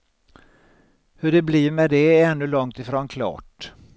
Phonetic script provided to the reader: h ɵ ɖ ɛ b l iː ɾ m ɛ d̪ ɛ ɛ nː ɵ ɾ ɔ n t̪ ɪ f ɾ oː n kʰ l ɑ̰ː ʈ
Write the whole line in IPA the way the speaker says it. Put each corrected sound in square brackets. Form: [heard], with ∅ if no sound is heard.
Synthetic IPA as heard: h ɵ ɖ ɛ b l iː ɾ m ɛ d̪ ɛ ɛ nː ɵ [l] ɔ [ŋ] t̪ ɪ f ɾ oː n kʰ l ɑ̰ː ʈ